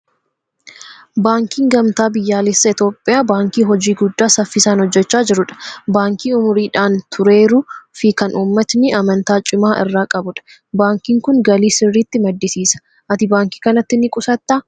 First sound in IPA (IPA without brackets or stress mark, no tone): b